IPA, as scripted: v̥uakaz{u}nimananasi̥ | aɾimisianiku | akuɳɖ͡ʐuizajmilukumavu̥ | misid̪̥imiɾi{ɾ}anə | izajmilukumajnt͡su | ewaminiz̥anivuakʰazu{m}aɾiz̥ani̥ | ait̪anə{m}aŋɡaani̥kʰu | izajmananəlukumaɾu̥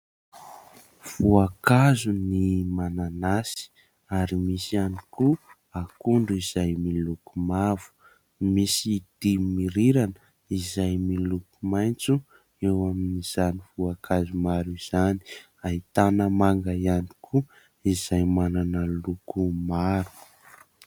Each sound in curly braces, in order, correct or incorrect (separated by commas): correct, correct, correct, correct